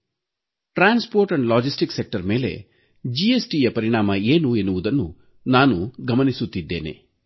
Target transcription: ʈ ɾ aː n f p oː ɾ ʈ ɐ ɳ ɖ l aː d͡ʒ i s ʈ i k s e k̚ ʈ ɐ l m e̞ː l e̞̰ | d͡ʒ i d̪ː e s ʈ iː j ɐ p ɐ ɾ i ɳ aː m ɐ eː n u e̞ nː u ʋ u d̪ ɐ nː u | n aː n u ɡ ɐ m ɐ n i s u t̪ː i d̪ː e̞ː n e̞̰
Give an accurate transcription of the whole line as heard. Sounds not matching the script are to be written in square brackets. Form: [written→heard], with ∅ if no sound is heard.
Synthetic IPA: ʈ ɾ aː n [f→s] p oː ɾ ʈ ɐ ɳ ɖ l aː d͡ʒ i s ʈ i k s e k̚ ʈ ɐ [l→ɾ] m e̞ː l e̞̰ | d͡ʒ i [d̪ː→∅] e s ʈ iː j ɐ p ɐ ɾ i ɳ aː m ɐ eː n u e̞ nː u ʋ u d̪ ɐ nː u | n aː n u ɡ ɐ m ɐ n i s u t̪ː i d̪ː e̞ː n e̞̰